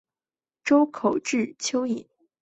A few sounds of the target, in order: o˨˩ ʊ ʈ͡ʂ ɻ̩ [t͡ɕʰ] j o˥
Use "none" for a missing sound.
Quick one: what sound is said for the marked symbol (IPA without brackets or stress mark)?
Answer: t͡ɕʰ